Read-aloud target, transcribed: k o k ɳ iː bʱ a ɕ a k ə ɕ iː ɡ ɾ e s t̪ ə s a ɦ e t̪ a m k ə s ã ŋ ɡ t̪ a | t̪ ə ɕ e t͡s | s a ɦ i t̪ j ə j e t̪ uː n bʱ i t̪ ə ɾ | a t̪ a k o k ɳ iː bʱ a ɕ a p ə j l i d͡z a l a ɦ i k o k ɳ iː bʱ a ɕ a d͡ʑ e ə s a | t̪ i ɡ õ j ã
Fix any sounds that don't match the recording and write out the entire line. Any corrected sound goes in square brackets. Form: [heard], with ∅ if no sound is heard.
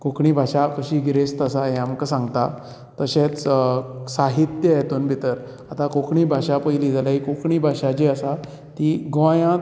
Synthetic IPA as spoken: k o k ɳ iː bʱ a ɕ a k ə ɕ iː ɡ ɾ e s t̪ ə s a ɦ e [∅] a m k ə s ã ŋ ɡ t̪ a | t̪ ə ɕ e t͡s | s a ɦ i t̪ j ə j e t̪ uː n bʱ i t̪ ə ɾ | a t̪ a k o k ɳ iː bʱ a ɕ a p ə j l i d͡z a l a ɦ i k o k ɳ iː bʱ a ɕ a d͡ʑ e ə s a | t̪ i ɡ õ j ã